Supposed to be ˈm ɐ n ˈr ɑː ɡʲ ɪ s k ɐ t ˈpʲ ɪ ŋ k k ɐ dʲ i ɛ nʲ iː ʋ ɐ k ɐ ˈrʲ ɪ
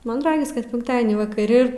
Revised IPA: ˈm ɐ n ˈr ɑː ɡʲ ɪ s k ɐ t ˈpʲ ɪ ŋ k t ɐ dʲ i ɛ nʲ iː ʋ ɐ k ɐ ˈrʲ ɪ

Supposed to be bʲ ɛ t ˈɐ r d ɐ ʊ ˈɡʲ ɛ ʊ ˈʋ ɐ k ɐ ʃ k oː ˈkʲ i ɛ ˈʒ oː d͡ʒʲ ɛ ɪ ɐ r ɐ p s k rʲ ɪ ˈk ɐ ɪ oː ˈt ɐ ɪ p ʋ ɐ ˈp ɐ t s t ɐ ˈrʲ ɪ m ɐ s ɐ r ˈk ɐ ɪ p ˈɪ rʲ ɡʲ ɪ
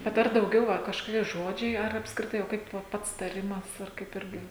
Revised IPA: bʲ ɛ t ˈɐ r d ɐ ʊ ˈɡʲ ɛ ʊ ˈʋ ɐ k ɐ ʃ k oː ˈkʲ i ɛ ˈʒ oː d͡ʒʲ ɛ ɪ ɐ r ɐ p s k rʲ ɪ ˈt ɐ ɪ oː ˈk ɐ ɪ p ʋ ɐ ˈp ɐ t s t ɐ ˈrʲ ɪ m ɐ s ɐ r ˈk ɐ ɪ p ˈɪ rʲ ɡʲ ɪ

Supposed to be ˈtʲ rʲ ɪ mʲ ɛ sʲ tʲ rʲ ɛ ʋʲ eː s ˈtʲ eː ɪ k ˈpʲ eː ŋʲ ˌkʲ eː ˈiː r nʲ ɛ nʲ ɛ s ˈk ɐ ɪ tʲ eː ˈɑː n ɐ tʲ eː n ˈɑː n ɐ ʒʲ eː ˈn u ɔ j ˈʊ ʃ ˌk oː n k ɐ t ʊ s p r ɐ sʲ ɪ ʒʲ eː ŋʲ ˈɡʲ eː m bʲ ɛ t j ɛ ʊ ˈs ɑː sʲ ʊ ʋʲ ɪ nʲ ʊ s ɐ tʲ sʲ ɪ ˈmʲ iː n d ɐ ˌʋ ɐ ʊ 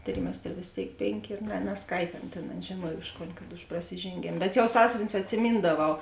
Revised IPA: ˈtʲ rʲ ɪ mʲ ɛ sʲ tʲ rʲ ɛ ʋʲ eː s ˈtʲ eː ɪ k ˈpʲ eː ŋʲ ˌkʲ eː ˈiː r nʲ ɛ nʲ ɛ s ˈk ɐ ɪ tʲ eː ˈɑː n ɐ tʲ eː n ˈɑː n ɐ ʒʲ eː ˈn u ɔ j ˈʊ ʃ ˌk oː n k ɐ t ʊ ʃ p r ɐ sʲ ɪ ʒʲ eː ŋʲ ˈɡʲ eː m bʲ ɛ t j ɛ ʊ ˈs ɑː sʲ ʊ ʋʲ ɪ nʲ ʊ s ɐ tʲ sʲ ɪ ˈmʲ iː n d ɐ ˌʋ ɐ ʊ

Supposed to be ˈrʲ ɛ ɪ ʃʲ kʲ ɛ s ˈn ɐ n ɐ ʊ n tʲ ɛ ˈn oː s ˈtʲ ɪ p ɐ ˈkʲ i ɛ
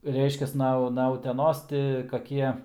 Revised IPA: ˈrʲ ɛ ɪ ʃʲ kʲ ɛ s ˈn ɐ n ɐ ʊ tʲ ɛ ˈn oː s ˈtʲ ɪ k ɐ ˈkʲ i ɛ

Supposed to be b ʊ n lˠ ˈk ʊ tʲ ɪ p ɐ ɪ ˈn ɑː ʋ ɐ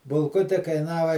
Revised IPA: b ʊ lˠ ˈk ʊ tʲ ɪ k ɐ ɪ ˈn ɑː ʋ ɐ

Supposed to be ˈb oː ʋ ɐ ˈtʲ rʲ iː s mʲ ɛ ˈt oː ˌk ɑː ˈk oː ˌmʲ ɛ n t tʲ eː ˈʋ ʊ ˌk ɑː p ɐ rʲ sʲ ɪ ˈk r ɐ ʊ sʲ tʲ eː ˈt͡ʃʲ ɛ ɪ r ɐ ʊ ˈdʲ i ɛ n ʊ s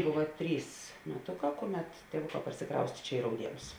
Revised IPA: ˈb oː ʋ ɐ ˈtʲ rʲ iː s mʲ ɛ ˈt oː ˌk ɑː ˈk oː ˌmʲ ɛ t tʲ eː ˈʋ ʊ ˌk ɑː p ɐ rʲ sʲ ɪ ˈk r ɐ ʊ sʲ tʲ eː ˈt͡ʃʲ ɛ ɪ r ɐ ʊ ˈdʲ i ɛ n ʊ s

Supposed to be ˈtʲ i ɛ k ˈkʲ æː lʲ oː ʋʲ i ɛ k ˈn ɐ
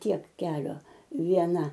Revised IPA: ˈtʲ i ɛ k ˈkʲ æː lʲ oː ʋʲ i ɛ ˈn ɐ

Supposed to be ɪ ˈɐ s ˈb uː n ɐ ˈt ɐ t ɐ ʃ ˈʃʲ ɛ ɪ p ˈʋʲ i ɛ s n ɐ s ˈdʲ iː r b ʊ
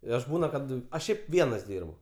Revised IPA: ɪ ˈɐ ʃ ˈb uː n ɐ ˈk ɐ t ɐ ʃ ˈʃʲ ɛ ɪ p ˈʋʲ i ɛ n ɐ s ˈdʲ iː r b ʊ

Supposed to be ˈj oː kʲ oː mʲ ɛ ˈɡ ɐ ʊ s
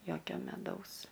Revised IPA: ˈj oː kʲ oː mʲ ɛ ˈd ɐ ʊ s

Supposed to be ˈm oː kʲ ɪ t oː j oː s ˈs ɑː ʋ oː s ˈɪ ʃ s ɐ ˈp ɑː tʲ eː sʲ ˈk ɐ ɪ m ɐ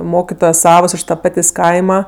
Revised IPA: ˈm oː kʲ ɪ t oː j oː s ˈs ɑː ʋ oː s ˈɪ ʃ t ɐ ˈp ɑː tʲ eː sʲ ˈk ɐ ɪ m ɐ

